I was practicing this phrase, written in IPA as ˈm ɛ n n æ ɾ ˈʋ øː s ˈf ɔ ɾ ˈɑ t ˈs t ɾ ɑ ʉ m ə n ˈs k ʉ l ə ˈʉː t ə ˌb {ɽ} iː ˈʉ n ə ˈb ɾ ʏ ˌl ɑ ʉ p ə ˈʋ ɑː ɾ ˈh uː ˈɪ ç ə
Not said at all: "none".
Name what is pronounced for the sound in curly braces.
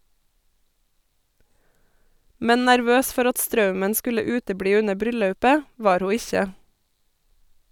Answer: ɽ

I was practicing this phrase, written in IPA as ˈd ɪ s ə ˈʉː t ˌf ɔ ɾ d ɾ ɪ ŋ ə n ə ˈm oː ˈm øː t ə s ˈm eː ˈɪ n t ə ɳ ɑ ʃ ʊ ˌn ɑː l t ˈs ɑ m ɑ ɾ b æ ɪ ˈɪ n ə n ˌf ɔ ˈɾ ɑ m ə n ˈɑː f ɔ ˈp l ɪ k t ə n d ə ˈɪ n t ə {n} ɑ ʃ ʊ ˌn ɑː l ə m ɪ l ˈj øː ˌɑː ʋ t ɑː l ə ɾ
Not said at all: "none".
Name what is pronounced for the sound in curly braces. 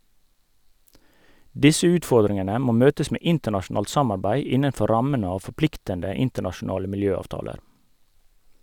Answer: ɳ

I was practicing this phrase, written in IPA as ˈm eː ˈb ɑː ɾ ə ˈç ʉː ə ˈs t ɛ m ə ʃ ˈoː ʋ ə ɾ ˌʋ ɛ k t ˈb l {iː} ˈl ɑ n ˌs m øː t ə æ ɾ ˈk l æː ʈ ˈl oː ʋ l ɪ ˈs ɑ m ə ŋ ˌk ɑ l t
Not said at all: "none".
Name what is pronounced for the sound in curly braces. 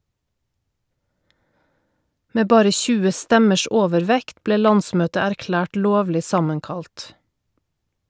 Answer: eː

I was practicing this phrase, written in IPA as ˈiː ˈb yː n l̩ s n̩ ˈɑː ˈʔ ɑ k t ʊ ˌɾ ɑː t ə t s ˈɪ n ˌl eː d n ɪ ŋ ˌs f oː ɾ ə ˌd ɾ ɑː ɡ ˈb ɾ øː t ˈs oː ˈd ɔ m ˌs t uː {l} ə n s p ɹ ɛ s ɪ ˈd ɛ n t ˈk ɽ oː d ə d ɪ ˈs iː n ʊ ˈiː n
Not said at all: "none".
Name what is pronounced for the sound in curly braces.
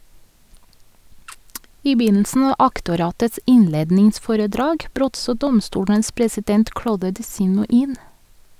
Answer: ɽ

